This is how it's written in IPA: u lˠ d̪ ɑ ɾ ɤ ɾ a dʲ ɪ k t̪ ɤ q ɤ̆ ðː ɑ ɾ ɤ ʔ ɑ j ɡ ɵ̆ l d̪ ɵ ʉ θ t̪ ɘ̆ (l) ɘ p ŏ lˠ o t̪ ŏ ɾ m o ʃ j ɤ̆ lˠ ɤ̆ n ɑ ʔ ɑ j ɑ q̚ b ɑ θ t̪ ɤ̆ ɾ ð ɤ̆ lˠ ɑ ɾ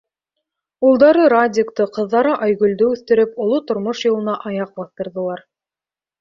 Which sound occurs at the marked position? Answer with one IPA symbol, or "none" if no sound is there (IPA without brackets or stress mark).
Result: ɾ